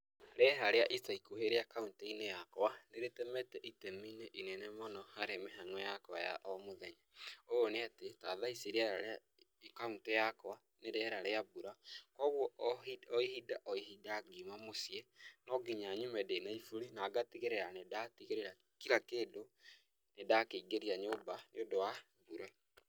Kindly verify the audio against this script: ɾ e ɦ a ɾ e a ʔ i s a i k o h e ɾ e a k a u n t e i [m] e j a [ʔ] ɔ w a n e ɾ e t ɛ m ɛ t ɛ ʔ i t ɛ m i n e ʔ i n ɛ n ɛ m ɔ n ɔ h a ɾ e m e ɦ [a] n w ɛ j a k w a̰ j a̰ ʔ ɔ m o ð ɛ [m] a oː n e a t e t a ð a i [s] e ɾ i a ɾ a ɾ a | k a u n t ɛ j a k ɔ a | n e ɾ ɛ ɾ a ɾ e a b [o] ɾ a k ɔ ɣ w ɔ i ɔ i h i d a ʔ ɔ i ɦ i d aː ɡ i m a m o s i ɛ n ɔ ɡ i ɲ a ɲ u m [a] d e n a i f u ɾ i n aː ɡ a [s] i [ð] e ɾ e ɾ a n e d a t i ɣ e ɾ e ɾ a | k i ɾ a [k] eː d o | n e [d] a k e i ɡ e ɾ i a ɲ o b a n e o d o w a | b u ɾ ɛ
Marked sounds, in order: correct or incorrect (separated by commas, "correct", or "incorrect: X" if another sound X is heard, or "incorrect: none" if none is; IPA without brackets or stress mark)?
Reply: incorrect: n, incorrect: k, correct, incorrect: ɲ, correct, incorrect: u, incorrect: ɛ, incorrect: t, incorrect: ɣ, correct, correct